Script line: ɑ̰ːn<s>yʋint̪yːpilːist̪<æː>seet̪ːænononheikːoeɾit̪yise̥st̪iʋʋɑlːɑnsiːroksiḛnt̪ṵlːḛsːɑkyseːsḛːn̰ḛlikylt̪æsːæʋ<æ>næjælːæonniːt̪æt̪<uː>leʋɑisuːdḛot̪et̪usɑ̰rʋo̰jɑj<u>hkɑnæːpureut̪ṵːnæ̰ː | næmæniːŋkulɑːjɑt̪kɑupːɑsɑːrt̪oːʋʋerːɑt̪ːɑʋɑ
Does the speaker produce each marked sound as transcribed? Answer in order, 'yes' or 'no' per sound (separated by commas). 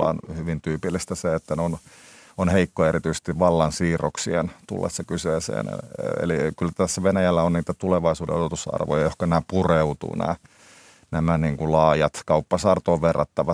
no, no, no, no, no